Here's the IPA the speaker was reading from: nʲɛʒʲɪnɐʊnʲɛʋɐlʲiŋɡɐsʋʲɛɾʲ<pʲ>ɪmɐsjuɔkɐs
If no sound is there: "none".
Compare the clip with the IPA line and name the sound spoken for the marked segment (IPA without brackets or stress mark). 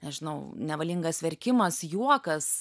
kʲ